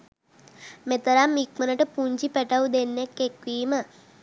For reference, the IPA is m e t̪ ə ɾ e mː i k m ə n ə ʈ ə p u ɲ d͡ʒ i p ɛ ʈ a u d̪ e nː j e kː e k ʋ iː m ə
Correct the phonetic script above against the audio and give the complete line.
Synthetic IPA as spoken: m e t̪ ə ɾ a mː i k m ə n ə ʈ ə p u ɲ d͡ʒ i p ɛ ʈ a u d̪ e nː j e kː e k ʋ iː m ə